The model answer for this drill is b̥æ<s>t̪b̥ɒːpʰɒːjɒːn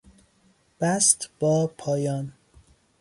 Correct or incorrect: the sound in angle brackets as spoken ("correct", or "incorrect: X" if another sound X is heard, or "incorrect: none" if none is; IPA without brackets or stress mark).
correct